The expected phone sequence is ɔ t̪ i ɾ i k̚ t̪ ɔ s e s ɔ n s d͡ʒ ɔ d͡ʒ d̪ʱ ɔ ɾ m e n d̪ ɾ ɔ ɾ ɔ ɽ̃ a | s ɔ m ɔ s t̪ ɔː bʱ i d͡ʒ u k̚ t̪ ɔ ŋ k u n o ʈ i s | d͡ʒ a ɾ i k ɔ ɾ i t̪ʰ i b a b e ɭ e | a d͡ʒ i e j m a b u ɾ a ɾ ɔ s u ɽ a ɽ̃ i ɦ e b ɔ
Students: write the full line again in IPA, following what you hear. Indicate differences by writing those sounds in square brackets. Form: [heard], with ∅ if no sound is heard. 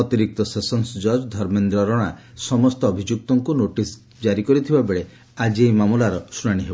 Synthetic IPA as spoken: ɔ t̪ i ɾ i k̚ t̪ ɔ s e s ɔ n s d͡ʒ ɔ d͡ʒ d̪ʱ ɔ ɾ m e n d̪ ɾ ɔ ɾ ɔ ɽ̃ a | s ɔ m ɔ s t̪ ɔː bʱ i d͡ʒ u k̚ t̪ ɔ ŋ k u n o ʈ i s | d͡ʒ a ɾ i k ɔ ɾ i t̪ʰ i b a b e ɭ e | a d͡ʒ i e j m a [m] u [l] a ɾ ɔ s u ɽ a ɽ̃ i ɦ e b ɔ